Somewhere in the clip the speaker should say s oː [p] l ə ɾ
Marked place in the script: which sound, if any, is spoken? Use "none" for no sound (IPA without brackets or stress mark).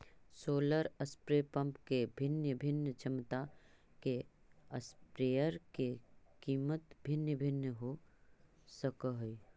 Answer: none